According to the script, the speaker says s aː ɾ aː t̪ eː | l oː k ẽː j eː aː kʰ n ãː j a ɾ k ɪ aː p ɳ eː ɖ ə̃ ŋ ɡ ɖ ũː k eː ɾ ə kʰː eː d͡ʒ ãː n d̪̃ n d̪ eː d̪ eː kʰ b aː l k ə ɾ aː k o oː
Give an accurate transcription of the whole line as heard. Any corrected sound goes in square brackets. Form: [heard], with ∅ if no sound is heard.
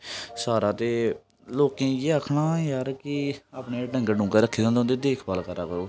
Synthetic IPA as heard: s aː ɾ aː t̪ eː | l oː k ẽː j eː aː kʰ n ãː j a ɾ k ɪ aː p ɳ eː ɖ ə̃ ŋ ɡ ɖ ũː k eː ɾ ə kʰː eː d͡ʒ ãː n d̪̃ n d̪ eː d̪ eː kʰ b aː l k ə ɾ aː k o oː

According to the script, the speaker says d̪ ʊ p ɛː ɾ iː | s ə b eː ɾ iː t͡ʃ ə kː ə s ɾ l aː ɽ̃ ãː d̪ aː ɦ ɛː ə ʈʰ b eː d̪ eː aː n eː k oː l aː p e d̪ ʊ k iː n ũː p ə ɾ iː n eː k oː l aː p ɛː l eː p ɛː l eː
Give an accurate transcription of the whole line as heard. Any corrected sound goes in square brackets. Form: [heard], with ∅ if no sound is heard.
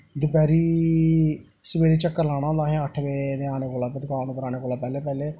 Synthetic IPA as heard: d̪ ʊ p ɛː ɾ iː | s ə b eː ɾ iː t͡ʃ ə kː ə [∅] ɾ l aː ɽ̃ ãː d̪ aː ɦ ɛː ə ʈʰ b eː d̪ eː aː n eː k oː l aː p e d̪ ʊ k [aː] n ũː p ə ɾ [aː] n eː k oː l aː p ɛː l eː p ɛː l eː

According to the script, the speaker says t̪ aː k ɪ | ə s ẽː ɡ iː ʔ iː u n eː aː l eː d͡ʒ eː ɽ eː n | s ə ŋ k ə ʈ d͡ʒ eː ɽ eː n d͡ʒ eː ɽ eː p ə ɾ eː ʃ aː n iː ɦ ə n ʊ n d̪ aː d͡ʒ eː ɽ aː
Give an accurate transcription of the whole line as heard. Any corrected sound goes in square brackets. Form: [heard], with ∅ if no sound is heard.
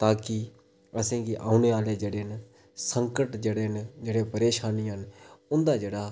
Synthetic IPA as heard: t̪ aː k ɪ | ə s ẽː ɡ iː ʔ [aː] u n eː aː l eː d͡ʒ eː ɽ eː n | s ə ŋ k ə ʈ d͡ʒ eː ɽ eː n d͡ʒ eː ɽ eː p ə ɾ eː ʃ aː n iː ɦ ə n ʊ n d̪ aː d͡ʒ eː ɽ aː

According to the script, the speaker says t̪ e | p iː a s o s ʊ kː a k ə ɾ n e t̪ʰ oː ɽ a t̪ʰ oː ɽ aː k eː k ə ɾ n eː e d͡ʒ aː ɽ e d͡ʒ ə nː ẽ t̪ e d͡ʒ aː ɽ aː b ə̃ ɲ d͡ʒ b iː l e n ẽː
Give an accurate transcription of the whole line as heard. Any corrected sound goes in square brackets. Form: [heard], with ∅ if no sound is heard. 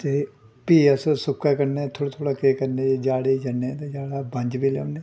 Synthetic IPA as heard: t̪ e | p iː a s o s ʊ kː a k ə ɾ n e t̪ʰ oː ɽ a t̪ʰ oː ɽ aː k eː k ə ɾ n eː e d͡ʒ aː ɽ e d͡ʒ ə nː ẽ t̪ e d͡ʒ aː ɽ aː b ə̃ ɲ d͡ʒ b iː l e n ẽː

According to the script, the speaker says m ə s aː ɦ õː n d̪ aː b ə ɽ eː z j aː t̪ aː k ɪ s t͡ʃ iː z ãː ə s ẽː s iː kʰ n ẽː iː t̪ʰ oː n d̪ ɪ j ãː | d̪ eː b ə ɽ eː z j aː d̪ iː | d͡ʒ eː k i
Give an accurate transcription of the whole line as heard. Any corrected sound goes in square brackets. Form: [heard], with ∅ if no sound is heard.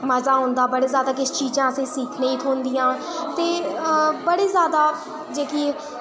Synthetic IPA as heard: m ə [z] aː ɦ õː n d̪ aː b ə ɽ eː z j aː [d̪] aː k ɪ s t͡ʃ iː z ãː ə s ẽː s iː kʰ n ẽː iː t̪ʰ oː n d̪ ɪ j ãː | [t̪] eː b ə ɽ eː z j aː d̪ [aː] | d͡ʒ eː k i

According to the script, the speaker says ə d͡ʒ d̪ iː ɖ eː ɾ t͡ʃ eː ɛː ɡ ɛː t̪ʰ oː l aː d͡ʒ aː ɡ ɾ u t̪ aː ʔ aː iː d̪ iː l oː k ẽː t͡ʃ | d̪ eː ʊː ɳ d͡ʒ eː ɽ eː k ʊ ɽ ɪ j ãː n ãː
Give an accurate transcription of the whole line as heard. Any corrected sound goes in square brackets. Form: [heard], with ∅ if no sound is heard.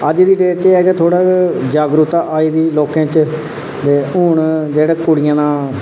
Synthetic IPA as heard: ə d͡ʒ d̪ iː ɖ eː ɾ t͡ʃ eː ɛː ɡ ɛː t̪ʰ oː [ɽ] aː d͡ʒ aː ɡ ɾ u t̪ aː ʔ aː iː d̪ iː l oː k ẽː t͡ʃ | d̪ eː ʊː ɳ d͡ʒ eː ɽ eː k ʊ ɽ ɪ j ãː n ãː

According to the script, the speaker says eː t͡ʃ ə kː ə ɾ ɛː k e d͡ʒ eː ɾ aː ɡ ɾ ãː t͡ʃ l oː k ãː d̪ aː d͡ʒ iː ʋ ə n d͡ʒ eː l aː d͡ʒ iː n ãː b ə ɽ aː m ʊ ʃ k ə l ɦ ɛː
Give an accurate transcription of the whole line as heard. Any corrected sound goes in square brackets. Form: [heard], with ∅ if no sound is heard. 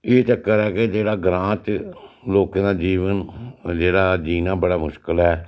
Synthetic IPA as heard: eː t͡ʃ ə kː ə ɾ ɛː k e d͡ʒ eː [ɽ] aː ɡ ɾ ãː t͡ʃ l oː k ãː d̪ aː d͡ʒ iː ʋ ə n d͡ʒ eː [ɽ] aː d͡ʒ iː n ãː b ə ɽ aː m ʊ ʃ k ə l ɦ ɛː

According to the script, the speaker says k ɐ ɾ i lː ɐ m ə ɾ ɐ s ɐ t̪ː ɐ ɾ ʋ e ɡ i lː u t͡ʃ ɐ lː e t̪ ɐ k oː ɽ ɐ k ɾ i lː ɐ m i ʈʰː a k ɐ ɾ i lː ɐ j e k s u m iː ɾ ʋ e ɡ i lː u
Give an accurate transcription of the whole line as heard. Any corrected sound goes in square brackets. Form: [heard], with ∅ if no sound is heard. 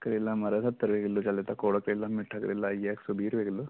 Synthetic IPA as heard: k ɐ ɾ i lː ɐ m [ɐ] ɾ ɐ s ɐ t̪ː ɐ ɾ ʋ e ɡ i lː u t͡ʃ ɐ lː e t̪ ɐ k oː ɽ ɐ k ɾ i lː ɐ m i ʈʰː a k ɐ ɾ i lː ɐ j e k s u [b] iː ɾ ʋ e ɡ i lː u

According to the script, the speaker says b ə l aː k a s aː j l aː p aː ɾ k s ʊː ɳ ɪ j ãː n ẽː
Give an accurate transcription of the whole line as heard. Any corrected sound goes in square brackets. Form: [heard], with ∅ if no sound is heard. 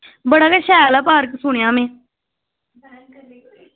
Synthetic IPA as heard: b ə [ɽ] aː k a [ʃ] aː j l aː p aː ɾ k s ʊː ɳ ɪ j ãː [m] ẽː

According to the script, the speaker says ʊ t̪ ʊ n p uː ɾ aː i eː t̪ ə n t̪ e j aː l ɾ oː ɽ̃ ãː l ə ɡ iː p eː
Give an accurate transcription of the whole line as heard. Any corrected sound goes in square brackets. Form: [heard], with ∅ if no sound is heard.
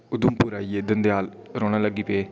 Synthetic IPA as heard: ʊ [d̪] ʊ [m] p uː ɾ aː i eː [d̪] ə n [d̪] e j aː l ɾ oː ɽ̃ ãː l ə ɡ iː p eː

